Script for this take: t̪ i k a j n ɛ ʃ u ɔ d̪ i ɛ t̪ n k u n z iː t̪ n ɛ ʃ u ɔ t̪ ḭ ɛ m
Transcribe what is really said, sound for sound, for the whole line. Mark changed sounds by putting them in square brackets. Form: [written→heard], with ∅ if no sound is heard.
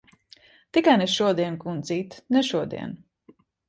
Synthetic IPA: t̪ i k a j n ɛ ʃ u ɔ d̪ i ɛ [t̪→∅] n k u n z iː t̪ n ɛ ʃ u ɔ [t̪→d̪] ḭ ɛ [m→n]